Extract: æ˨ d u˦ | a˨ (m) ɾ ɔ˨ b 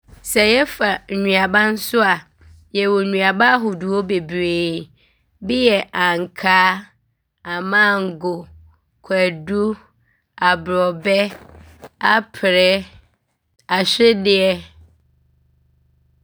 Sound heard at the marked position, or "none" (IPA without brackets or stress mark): b